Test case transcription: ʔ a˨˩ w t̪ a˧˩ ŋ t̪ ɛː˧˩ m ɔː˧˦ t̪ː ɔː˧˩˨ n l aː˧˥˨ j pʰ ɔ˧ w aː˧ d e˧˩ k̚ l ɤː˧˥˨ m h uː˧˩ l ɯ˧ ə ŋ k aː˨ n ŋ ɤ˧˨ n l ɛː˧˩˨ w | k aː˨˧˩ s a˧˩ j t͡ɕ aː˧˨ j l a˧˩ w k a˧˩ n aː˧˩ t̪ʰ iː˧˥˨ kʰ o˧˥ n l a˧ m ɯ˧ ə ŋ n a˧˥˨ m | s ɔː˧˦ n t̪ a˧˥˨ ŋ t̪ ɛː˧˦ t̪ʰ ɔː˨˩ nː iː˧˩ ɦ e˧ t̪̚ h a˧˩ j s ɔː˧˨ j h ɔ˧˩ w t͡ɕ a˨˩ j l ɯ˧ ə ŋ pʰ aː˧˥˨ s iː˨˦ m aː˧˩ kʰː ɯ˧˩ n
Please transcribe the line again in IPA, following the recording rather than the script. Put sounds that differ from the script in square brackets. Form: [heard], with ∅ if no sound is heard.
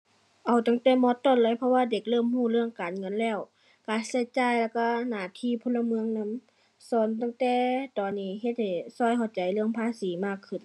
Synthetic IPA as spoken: ʔ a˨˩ w t̪ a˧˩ ŋ t̪ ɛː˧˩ m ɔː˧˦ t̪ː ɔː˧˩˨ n l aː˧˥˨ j pʰ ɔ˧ w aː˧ d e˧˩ k̚ l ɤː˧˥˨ m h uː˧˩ l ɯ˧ ə ŋ k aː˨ n ŋ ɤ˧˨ n l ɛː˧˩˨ w | k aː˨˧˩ s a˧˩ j t͡ɕ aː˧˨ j l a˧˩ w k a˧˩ n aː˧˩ t̪ʰ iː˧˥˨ [pʰ] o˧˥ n l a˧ m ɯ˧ ə ŋ n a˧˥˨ m | s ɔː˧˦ n t̪ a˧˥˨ ŋ t̪ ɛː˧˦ [t̪] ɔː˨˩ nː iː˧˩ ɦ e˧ t̪̚ h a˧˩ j s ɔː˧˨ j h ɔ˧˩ w t͡ɕ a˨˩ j l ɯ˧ ə ŋ pʰ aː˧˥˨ s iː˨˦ m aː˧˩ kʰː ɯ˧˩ n